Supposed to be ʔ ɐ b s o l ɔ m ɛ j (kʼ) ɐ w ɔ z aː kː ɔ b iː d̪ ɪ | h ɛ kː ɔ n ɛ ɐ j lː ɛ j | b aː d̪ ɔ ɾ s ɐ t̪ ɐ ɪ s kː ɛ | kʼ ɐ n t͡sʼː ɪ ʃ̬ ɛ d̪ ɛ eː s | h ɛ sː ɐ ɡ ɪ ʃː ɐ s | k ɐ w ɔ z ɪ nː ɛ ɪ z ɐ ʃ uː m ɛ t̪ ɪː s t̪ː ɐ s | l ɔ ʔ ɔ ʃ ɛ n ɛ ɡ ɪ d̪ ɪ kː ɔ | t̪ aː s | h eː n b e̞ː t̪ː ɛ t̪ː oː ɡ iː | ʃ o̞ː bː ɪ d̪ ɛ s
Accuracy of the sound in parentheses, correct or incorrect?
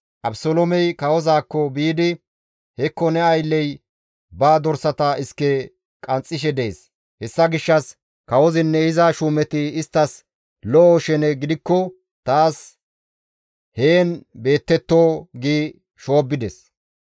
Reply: incorrect